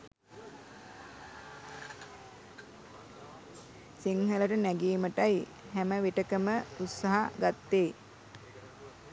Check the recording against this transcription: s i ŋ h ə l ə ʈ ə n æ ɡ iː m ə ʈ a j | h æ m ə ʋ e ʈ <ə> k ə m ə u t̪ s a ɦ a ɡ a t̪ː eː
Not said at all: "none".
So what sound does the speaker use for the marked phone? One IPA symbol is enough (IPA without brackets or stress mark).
ə